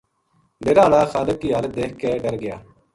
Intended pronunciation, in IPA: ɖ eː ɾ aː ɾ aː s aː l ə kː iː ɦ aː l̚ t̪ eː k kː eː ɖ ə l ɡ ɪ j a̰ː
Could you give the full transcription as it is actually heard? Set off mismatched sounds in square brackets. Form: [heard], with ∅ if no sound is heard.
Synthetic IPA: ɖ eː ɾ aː [l] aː [x] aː l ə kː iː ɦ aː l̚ [d̪] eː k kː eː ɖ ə [ɾ] ɡ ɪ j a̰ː